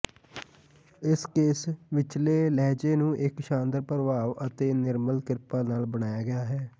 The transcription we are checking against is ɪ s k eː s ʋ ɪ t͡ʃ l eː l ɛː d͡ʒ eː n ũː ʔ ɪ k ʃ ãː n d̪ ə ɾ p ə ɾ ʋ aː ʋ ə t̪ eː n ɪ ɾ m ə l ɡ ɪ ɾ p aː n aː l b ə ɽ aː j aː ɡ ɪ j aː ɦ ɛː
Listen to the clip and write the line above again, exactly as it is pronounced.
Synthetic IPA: ɪ s k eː s ʋ ɪ t͡ʃ l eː l ɛː d͡ʒ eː n ũː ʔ ɪ k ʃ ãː n d̪ ə ɾ p ə ɾ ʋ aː ʋ ə t̪ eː n ɪ ɾ m ə l k ɪ ɾ p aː n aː l b ə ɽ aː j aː ɡ ɪ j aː ɦ ɛː